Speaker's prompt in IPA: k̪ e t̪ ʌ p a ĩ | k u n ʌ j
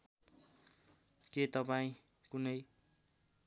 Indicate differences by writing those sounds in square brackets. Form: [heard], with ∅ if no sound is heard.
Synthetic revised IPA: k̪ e t̪ ʌ p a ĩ | k u n ʌ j